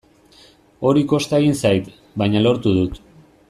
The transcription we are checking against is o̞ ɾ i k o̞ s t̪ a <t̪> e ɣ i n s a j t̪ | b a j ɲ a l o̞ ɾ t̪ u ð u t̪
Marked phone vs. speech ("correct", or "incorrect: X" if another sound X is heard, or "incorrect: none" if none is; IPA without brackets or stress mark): incorrect: none